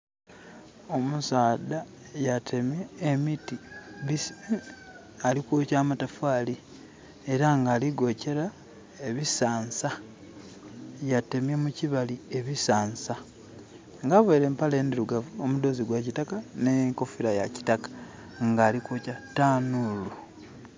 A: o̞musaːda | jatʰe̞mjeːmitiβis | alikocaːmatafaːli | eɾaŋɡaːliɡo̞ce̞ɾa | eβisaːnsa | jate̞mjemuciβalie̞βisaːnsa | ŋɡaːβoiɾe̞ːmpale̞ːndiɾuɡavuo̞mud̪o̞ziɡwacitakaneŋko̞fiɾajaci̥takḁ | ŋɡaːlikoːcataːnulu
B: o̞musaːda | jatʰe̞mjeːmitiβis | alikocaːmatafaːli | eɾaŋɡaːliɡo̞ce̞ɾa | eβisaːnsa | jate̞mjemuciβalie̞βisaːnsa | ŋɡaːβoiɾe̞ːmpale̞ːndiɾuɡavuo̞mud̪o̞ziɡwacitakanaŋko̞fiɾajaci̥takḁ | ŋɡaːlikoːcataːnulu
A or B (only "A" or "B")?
A